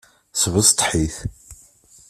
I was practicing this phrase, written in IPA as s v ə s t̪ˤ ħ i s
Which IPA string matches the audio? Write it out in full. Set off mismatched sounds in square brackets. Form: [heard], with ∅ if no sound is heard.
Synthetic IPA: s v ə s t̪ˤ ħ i [θ]